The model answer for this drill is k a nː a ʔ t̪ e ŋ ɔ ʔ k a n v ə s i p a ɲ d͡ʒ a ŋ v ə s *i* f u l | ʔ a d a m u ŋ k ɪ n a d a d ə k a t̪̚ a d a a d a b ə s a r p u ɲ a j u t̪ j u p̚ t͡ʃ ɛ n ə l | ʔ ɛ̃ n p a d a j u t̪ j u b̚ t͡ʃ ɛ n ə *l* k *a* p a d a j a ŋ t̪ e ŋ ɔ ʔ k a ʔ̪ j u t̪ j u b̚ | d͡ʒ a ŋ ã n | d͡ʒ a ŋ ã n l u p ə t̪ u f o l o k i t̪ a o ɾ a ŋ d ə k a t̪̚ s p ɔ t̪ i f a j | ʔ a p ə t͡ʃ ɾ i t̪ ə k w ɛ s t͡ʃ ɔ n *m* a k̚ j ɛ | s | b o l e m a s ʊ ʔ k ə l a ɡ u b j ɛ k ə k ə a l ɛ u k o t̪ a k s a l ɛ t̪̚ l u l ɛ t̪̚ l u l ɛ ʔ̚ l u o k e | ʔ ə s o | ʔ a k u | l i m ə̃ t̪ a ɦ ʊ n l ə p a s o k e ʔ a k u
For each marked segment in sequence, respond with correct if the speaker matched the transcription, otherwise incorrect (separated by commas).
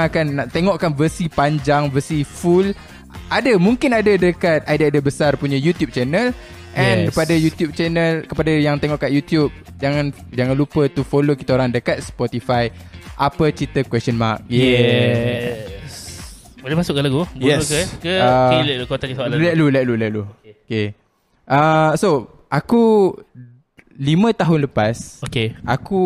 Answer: correct, correct, incorrect, correct